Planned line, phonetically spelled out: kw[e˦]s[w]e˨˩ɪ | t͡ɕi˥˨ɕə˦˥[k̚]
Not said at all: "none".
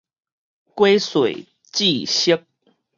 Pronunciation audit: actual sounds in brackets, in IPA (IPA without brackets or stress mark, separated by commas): e˦, w, k̚